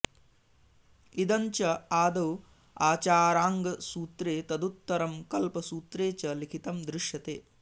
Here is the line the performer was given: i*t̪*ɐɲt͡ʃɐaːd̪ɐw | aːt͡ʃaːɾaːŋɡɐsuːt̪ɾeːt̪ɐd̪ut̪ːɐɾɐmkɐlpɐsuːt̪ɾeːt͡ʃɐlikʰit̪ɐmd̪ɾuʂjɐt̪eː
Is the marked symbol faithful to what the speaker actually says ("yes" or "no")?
no